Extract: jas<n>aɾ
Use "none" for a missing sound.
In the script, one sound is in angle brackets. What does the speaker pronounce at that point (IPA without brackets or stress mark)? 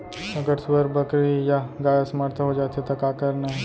m